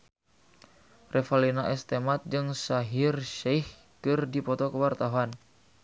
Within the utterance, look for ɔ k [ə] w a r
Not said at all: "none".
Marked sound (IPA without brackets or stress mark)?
ə